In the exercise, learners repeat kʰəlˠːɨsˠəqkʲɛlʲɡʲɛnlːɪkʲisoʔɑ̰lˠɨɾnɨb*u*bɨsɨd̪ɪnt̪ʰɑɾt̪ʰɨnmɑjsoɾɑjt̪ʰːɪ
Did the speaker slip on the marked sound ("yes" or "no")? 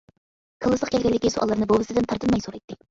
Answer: yes